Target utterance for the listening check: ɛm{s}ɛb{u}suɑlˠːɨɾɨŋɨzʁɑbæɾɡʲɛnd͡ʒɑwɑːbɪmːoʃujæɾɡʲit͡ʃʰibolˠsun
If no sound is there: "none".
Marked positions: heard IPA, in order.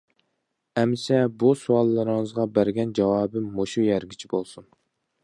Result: s, u

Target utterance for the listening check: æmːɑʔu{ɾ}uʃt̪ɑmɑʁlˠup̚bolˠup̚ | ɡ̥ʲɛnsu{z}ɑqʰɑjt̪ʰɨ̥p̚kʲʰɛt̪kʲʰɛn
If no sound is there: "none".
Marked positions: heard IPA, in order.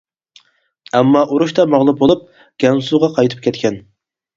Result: ɾ, ʁ

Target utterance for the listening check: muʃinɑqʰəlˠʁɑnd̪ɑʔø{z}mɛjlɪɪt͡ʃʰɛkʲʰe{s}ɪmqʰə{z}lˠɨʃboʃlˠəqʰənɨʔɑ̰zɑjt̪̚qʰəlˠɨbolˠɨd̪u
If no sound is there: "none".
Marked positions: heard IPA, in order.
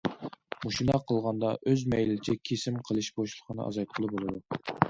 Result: z, s, none

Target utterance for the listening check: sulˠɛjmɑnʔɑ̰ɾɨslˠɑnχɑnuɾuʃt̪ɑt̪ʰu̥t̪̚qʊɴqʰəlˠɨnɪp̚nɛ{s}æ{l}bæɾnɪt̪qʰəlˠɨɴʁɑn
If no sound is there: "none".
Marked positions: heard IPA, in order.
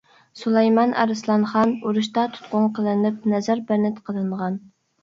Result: z, ɾ

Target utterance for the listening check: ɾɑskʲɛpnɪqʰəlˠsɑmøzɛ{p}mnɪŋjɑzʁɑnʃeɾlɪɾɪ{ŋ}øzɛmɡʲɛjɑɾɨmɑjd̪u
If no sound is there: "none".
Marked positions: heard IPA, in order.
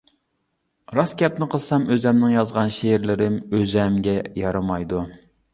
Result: none, m

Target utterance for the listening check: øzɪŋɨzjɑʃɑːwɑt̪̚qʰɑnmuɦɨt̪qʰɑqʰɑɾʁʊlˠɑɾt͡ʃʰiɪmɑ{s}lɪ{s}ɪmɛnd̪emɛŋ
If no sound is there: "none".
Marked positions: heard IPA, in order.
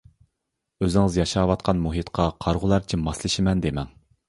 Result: s, ʃ

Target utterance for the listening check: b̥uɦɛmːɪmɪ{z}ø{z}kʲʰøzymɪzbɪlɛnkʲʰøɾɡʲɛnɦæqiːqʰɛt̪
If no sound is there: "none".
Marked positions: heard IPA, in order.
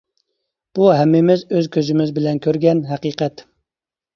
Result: z, z

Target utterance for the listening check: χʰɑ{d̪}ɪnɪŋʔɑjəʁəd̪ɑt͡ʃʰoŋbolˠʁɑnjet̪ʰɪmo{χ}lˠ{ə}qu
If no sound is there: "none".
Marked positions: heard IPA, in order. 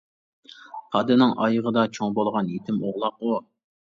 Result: d̪, ʁ, ɑ

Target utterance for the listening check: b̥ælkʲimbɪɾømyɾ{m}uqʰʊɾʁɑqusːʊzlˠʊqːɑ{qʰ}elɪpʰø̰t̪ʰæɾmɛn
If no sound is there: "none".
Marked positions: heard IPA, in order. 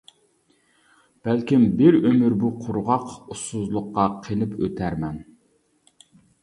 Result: b, qʰ

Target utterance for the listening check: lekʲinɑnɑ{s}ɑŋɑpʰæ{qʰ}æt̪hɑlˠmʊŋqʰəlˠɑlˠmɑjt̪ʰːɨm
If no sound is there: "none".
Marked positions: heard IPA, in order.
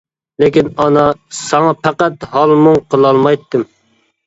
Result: s, q

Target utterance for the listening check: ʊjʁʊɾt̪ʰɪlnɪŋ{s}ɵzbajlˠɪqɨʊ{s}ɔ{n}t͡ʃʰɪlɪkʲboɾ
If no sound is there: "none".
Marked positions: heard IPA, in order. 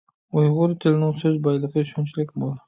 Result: s, ʃ, n

